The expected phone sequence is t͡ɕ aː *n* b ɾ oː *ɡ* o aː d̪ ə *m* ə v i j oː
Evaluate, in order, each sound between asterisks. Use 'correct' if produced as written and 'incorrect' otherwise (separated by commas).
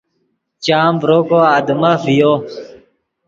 incorrect, incorrect, correct